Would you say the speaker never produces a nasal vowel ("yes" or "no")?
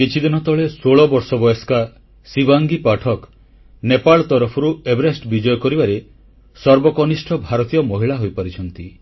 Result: yes